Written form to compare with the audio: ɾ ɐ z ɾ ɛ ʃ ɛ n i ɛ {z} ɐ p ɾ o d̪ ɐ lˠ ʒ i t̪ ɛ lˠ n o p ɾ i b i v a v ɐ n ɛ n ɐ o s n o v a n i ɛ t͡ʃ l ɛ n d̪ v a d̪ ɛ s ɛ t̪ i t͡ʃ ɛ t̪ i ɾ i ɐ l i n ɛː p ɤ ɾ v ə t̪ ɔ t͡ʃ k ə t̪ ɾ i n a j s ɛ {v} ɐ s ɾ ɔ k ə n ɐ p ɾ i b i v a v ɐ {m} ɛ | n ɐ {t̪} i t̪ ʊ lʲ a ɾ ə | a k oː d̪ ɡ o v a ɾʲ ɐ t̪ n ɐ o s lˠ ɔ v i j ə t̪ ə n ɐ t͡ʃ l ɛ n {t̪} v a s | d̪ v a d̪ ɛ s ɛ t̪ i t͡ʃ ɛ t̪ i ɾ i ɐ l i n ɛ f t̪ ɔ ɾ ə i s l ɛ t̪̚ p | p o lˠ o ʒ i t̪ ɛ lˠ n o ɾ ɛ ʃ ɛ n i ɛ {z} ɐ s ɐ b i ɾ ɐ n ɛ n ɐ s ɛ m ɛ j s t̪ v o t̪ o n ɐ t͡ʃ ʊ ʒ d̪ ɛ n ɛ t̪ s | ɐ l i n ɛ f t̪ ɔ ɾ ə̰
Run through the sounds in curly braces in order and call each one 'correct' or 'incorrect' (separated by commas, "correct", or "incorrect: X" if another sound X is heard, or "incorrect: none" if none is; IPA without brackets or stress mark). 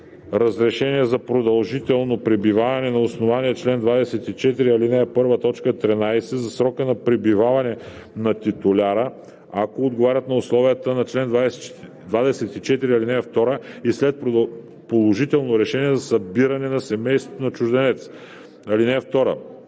correct, incorrect: z, incorrect: n, correct, incorrect: d̪, correct